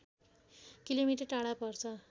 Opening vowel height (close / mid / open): close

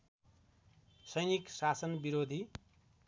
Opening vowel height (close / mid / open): mid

